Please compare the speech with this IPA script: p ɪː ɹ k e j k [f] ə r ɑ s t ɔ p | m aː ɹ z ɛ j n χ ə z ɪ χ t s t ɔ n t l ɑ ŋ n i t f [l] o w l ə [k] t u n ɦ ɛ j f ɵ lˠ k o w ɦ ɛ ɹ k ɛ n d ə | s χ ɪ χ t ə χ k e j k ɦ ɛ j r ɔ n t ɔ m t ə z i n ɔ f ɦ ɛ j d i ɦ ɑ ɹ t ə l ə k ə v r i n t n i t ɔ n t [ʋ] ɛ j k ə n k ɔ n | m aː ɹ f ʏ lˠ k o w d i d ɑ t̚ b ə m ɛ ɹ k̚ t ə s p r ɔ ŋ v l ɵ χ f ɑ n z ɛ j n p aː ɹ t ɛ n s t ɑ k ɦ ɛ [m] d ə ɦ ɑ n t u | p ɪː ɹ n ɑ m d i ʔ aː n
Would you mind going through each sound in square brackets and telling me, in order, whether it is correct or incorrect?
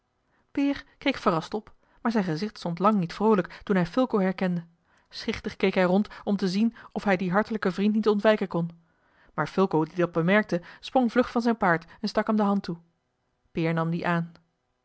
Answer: correct, incorrect, correct, correct, correct

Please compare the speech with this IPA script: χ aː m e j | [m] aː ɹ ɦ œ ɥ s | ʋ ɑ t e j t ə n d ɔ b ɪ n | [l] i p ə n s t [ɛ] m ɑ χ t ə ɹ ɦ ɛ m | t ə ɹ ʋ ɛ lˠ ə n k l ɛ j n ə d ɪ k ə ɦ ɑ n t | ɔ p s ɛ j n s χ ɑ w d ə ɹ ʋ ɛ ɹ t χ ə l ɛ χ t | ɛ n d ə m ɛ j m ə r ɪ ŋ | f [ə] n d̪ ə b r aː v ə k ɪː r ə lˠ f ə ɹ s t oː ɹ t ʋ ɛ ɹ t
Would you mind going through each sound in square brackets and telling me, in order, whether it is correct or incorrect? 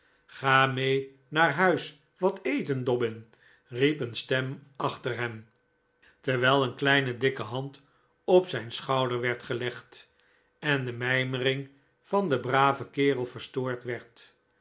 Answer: incorrect, incorrect, correct, incorrect

